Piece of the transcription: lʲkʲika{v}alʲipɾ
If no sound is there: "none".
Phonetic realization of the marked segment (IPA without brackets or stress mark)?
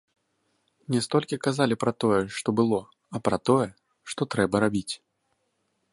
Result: z